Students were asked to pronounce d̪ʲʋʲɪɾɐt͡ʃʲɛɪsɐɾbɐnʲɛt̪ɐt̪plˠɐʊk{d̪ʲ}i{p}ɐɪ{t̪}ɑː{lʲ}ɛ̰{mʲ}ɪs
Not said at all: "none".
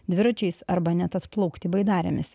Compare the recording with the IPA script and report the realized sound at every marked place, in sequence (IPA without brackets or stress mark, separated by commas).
t̪ʲ, b, d̪, ɾʲ, mʲ